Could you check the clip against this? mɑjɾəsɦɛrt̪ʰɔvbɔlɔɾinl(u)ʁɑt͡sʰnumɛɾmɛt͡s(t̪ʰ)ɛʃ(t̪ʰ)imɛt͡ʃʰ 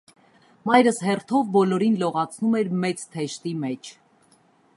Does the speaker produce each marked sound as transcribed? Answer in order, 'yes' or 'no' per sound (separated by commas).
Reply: no, yes, no